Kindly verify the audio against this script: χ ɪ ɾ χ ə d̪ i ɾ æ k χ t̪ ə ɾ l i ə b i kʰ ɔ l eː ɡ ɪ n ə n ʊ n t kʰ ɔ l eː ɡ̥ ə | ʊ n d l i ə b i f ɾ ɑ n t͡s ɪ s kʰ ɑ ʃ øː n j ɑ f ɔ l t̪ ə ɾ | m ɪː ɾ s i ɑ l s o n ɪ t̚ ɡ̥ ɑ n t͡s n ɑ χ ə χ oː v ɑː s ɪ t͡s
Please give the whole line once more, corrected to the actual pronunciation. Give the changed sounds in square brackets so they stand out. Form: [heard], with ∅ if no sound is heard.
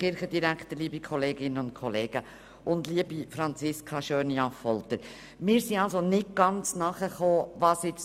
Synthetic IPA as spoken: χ ɪ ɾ χ ə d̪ i ɾ æ k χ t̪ ə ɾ l i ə b i kʰ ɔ l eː ɡ ɪ n ə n ʊ n t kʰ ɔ l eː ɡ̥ ə | ʊ n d l i ə b i f ɾ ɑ n t͡s ɪ s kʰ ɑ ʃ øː n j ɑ f ɔ l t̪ ə ɾ | m ɪː ɾ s i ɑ l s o n ɪ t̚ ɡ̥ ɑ n t͡s n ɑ χ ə χ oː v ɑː s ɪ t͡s